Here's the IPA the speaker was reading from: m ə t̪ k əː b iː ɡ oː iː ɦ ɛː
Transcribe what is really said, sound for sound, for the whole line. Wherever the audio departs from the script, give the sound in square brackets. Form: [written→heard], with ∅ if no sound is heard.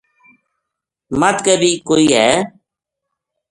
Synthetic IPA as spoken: m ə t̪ k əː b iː [ɡ→k] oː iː ɦ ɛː